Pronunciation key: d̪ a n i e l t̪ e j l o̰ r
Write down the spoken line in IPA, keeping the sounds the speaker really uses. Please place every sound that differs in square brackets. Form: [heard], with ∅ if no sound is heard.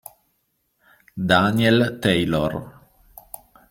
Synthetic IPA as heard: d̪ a n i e l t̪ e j l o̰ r